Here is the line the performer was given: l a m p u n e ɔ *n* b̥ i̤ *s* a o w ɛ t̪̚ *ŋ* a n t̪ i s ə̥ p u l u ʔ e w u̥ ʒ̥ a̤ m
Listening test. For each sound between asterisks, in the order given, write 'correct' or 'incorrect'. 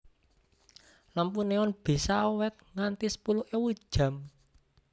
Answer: correct, correct, correct

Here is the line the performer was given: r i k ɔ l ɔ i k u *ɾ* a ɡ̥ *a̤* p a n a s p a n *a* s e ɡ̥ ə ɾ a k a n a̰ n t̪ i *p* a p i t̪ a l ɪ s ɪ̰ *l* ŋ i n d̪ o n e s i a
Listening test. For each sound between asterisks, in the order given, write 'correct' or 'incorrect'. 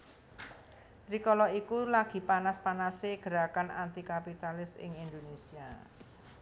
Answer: incorrect, incorrect, correct, incorrect, incorrect

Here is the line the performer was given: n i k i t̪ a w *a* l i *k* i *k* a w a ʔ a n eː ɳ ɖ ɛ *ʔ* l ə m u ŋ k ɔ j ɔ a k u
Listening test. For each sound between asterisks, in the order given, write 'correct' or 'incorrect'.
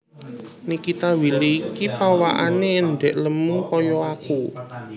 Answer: incorrect, correct, incorrect, correct

